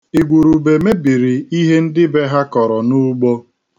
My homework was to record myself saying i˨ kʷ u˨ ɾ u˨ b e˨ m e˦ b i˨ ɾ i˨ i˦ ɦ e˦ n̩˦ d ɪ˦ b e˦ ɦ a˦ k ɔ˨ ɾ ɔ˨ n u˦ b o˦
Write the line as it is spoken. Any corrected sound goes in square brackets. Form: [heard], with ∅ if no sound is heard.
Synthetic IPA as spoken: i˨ [ɡʷ] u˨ ɾ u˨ b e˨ m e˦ b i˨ ɾ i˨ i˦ ɦ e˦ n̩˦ d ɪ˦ b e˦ ɦ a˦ k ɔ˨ ɾ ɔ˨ n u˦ [ɡ͡b] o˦